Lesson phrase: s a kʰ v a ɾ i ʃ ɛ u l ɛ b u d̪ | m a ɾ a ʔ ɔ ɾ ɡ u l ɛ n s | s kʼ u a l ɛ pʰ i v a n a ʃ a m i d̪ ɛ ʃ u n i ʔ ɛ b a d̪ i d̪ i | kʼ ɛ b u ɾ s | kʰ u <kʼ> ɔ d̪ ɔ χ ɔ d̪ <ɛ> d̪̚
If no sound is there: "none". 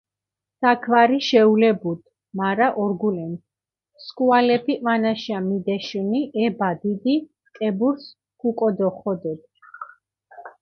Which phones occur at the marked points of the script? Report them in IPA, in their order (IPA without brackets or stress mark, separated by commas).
kʼ, ɛ